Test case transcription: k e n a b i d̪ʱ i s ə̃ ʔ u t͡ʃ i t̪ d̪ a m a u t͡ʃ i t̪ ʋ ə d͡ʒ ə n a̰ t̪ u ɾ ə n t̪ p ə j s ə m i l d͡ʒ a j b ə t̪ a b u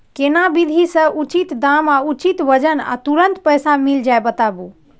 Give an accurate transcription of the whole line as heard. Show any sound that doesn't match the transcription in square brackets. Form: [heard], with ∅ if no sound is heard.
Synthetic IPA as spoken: k e n a b i d̪ʱ i s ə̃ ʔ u t͡ʃ i t̪ d̪ a m a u t͡ʃ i t̪ ʋ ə d͡ʒ ə n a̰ t̪ u ɾ ə n t̪ p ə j s [a] m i l d͡ʒ a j b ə t̪ a b u